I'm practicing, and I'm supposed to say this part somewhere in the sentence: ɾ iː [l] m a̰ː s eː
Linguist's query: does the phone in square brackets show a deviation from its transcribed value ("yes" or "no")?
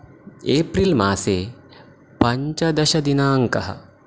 no